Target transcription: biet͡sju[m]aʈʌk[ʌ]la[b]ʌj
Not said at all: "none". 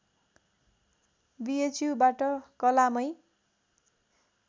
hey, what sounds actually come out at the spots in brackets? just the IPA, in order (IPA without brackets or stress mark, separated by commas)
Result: b, ʌ, m